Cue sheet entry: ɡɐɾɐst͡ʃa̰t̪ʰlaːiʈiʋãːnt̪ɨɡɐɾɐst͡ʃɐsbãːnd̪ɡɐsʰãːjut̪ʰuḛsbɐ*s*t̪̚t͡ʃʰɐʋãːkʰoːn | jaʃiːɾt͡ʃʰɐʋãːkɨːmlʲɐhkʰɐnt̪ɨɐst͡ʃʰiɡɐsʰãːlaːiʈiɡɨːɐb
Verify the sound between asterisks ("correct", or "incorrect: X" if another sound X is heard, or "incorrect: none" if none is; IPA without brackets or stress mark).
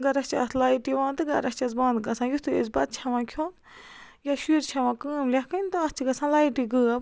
incorrect: none